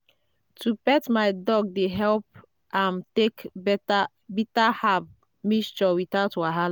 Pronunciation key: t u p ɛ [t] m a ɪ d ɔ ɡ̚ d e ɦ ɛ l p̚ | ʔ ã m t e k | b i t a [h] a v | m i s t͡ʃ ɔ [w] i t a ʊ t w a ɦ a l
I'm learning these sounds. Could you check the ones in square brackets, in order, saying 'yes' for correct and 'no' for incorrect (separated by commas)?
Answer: yes, yes, yes